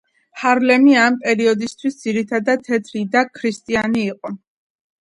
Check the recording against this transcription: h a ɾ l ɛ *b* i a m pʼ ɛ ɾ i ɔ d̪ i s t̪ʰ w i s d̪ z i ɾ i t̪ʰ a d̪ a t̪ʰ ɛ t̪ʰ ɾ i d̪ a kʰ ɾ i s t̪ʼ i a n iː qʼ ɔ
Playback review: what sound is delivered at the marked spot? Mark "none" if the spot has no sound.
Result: m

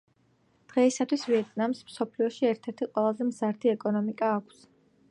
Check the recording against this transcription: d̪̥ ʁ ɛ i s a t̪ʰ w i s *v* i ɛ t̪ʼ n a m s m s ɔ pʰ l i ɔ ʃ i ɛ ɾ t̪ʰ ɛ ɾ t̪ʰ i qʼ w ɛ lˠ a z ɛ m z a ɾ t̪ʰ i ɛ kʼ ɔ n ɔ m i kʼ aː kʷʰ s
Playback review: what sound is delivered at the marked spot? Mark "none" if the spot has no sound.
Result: v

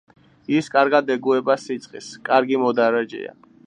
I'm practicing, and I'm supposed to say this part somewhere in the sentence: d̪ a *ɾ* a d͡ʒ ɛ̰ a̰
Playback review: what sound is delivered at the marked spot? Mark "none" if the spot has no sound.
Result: ɾ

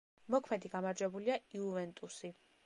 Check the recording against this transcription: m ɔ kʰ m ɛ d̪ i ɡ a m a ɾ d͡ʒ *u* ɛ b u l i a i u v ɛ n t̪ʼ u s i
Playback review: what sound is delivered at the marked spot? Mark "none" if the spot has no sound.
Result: w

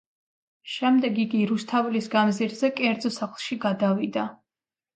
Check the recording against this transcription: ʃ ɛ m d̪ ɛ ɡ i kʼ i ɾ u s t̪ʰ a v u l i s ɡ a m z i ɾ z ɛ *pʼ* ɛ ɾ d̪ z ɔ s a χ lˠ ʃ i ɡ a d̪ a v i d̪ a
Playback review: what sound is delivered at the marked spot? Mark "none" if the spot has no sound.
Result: kʼ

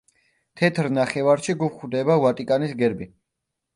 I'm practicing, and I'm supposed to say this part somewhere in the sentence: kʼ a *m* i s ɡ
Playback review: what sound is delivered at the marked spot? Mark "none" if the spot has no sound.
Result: n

